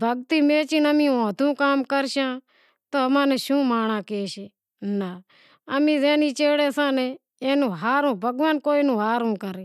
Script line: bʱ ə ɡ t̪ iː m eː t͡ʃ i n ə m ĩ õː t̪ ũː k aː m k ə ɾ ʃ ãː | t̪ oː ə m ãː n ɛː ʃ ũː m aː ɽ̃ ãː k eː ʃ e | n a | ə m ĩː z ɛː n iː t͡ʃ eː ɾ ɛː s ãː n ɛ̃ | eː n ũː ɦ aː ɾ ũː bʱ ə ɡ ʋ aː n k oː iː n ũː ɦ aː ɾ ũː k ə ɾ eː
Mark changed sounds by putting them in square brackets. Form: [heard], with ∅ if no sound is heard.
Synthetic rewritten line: bʱ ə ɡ t̪ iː m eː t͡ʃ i n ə m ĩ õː t̪ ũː k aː m k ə ɾ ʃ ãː | t̪ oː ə m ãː n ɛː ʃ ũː m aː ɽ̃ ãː k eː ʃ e | n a | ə m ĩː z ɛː n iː t͡ʃ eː [ɽ] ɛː s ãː n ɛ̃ | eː n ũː ɦ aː ɾ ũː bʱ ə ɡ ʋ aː n k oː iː n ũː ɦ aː ɾ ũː k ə ɾ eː